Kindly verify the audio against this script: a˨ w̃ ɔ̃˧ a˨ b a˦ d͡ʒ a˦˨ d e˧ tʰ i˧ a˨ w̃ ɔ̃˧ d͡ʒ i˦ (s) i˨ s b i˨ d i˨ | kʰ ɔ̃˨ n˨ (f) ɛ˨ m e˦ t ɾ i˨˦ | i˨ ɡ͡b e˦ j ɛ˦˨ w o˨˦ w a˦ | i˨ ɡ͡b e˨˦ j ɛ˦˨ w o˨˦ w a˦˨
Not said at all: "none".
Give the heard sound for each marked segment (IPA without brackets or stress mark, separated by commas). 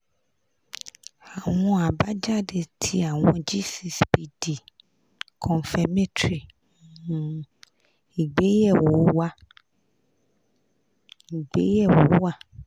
s, f